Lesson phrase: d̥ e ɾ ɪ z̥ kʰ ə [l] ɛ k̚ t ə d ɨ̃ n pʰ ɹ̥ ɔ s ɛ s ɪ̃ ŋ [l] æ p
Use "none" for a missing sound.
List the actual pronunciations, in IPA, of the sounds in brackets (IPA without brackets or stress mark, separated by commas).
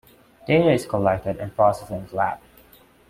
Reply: l, l